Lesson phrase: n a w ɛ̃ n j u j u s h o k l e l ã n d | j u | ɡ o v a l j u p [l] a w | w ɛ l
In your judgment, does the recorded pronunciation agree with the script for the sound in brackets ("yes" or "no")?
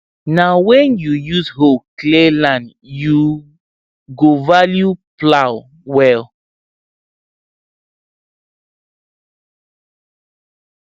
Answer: yes